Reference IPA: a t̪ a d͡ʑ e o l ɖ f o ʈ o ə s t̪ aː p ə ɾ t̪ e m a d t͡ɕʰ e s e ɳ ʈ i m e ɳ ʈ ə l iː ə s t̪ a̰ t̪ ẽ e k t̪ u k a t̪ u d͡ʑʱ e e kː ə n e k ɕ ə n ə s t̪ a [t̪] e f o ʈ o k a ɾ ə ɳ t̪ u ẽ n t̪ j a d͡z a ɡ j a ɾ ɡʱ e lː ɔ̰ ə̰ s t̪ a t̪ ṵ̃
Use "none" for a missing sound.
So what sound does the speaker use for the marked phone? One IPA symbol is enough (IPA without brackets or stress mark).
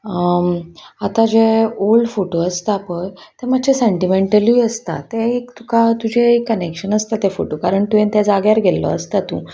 t̪